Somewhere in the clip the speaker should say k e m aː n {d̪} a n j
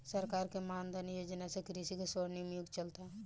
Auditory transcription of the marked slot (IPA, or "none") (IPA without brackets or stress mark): d̪